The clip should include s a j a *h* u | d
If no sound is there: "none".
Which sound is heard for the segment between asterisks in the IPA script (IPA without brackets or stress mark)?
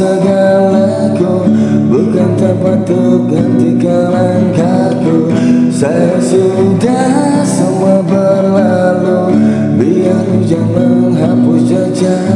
s